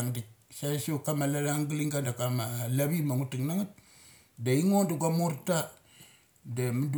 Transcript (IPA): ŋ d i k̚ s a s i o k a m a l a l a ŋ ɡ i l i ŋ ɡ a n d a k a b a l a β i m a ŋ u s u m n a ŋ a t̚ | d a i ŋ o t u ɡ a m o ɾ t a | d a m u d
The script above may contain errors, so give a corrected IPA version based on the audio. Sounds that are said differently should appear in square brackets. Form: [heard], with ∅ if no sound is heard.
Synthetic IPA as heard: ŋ d i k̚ s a s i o k a m a l a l a ŋ ɡ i l i ŋ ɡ a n d a k a [m] a l a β i m a ŋ u [t] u [ŋ] n a ŋ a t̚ | d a i ŋ o [d] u ɡ a m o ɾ t a | d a m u d